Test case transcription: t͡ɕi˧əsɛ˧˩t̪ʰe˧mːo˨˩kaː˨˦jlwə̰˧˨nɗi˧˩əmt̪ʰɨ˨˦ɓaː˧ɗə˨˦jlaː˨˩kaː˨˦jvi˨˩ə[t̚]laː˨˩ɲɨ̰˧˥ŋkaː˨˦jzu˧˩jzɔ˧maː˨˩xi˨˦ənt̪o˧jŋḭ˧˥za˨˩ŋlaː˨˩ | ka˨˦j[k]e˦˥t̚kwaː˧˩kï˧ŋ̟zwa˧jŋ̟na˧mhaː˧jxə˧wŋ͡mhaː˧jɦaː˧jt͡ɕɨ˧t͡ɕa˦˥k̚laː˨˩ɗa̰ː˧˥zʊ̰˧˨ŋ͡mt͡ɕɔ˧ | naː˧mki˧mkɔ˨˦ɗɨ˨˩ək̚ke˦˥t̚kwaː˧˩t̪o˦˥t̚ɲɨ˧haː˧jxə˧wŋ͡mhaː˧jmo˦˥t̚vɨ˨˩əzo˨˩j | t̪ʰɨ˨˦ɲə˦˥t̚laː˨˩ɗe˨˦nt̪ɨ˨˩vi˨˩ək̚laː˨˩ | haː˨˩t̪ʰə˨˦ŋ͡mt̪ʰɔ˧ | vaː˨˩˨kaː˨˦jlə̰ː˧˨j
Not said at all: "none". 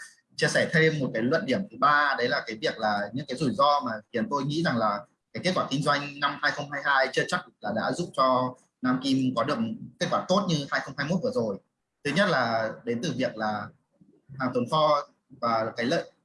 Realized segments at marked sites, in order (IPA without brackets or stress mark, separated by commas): k̚, k